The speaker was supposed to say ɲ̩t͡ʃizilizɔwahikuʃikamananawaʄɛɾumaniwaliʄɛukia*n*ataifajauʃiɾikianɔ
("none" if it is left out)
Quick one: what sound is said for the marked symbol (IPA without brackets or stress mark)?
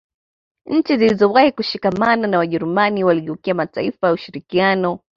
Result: m